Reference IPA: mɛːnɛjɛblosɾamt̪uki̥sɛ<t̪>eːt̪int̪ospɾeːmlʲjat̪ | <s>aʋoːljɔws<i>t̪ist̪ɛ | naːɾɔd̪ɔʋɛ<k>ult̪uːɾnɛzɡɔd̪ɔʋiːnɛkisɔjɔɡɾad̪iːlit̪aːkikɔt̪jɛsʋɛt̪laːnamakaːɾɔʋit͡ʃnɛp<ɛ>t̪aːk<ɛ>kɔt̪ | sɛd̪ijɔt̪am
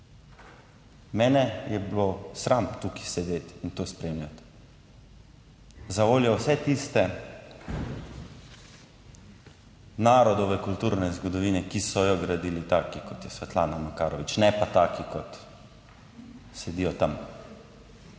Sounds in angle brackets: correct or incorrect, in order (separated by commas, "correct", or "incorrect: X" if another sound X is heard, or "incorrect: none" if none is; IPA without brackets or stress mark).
incorrect: d̪, incorrect: z, incorrect: ɛ, correct, incorrect: a, incorrect: i